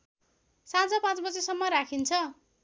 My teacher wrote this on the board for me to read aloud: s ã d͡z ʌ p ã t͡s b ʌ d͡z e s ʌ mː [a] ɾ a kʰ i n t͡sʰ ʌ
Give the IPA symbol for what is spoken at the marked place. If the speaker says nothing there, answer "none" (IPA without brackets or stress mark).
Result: ʌ